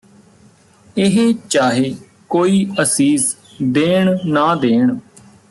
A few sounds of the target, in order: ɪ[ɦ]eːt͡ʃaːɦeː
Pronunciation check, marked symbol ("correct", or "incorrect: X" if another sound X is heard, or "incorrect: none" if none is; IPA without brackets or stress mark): correct